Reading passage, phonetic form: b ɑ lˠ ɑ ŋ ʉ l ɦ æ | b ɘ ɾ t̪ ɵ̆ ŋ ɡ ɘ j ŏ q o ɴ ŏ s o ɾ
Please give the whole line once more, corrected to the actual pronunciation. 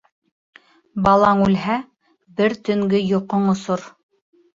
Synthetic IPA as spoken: b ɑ lˠ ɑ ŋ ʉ l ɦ æ | b ɘ ɾ t̪ ɵ̆ ŋ ɡ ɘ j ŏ q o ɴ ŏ s o ɾ